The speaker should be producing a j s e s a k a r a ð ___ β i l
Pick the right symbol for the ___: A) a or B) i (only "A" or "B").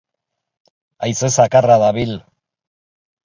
A